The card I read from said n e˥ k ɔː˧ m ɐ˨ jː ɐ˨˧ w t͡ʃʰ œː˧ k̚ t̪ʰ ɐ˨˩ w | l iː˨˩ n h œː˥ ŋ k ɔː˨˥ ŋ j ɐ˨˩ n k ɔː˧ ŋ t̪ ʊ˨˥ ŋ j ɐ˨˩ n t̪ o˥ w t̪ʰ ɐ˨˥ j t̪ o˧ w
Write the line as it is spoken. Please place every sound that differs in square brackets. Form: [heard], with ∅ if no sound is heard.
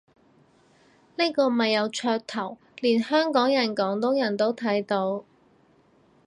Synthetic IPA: n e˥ k ɔː˧ m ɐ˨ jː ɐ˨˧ w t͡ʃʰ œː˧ k̚ t̪ʰ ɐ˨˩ w | l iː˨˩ n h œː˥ ŋ k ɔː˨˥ ŋ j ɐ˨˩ n k [ɔː˨˥] ŋ t̪ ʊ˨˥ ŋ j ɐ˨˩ n t̪ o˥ w t̪ʰ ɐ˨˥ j t̪ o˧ w